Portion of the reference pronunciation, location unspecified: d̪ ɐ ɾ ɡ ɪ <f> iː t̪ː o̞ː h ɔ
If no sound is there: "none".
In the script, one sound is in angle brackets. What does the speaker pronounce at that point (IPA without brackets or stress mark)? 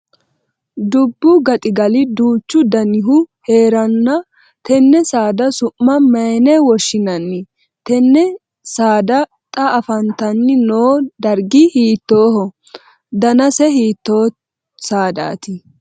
h